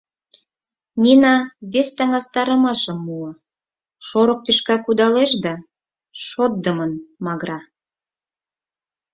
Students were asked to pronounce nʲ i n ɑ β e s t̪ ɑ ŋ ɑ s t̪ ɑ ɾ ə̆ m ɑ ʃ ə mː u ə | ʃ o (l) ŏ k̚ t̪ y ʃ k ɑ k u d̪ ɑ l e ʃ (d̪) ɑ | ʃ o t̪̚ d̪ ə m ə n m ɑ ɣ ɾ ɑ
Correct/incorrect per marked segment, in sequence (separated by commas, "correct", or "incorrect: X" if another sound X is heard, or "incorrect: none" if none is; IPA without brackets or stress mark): incorrect: ɾ, correct